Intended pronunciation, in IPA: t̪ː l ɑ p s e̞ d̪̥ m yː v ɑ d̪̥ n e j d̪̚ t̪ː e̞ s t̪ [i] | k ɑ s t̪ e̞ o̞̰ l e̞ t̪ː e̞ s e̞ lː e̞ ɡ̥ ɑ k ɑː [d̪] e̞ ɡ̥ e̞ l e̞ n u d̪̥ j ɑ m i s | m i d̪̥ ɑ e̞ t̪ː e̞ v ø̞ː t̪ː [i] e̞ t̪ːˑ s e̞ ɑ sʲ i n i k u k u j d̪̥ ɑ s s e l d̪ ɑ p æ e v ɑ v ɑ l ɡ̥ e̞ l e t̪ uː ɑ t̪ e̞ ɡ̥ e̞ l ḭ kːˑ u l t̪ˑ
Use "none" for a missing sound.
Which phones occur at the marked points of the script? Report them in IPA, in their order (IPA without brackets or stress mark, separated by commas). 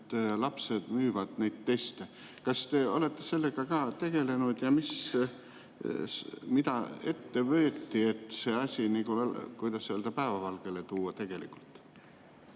e, t̪, i